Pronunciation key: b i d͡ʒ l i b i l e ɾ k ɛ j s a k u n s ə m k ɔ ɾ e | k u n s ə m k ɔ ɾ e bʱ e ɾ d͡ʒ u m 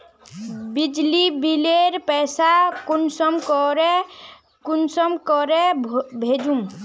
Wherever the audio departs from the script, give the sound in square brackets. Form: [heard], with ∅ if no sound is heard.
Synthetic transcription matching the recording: b i d͡ʒ l i b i l e ɾ [p] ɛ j s a k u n s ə m k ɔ ɾ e | k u n s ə m k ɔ ɾ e bʱ e [∅] d͡ʒ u m